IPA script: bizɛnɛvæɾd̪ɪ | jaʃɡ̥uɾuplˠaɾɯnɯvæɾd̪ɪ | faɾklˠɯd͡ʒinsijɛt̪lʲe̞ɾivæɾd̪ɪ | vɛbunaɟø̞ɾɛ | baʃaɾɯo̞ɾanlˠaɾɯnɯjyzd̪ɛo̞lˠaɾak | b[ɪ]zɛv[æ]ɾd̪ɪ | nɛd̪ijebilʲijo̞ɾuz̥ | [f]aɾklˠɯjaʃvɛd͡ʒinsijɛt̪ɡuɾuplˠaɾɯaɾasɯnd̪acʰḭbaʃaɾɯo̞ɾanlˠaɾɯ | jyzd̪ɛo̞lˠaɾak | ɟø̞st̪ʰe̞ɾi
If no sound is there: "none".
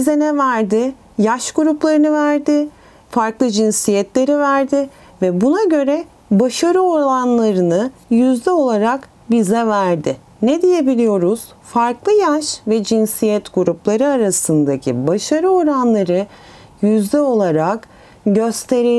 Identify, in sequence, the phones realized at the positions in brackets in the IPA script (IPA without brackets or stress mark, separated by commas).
i, æ, f